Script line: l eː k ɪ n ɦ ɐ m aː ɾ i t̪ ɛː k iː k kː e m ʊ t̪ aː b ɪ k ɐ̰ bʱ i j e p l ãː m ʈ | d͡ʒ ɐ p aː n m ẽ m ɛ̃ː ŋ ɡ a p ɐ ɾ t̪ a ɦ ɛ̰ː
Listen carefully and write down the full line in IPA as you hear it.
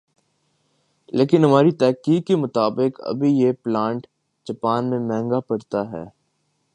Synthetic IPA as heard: l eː k ɪ n ɦ ɐ m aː ɾ i t̪ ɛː k iː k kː e m ʊ t̪ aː b ɪ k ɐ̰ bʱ i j e p l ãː ɳ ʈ | d͡ʒ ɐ p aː n m ẽ m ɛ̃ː ŋ ɡ a p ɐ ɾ t̪ a ɦ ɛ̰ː